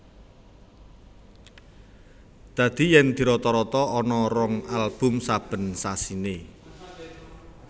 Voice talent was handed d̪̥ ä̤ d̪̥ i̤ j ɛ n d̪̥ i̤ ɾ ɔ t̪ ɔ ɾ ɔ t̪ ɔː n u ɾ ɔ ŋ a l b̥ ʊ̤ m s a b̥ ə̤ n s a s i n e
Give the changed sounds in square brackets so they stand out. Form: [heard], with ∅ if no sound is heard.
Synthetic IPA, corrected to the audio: d̪̥ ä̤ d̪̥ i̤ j ɛ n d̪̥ i̤ ɾ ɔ t̪ ɔ ɾ ɔ t̪ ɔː n [ɔ] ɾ ɔ ŋ a l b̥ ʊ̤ m s a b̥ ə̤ n s a s i n e